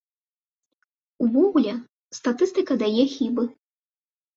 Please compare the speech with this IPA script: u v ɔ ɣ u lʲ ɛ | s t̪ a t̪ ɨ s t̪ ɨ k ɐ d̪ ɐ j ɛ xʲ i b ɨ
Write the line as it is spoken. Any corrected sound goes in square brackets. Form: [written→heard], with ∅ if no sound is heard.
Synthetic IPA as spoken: u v ɔ ɣ u lʲ ɛ | s t̪ a t̪ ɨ s t̪ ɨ k ɐ d̪ [ɐ→a] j ɛ xʲ i b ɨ